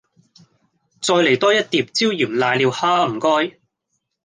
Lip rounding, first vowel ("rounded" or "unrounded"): rounded